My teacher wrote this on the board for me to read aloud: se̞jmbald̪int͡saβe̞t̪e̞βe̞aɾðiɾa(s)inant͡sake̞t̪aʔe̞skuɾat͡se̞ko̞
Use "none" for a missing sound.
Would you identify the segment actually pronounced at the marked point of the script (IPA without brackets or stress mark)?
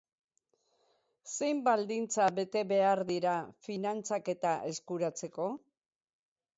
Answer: f